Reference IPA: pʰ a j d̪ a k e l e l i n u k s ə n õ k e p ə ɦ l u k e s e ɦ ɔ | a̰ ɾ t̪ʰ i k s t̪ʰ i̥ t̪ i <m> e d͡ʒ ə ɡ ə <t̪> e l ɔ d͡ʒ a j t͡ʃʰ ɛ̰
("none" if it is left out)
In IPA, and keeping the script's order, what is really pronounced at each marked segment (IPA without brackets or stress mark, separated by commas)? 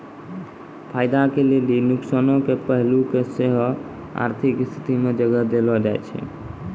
m, d̪